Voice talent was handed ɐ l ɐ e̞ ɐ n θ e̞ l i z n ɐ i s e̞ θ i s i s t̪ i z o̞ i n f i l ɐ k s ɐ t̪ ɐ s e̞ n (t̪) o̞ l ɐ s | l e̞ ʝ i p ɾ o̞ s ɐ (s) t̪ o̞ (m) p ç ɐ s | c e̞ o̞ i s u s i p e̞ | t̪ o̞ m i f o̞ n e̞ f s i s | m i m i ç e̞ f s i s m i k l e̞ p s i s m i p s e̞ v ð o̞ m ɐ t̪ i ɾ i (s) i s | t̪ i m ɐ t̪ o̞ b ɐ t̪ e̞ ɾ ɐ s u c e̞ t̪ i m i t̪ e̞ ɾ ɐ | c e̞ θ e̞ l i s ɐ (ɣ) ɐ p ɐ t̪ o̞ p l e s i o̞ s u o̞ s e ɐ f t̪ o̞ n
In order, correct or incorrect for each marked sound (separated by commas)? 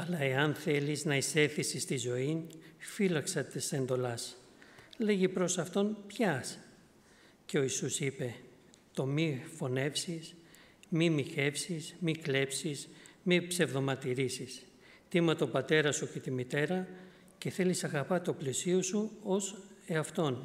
incorrect, incorrect, incorrect, correct, correct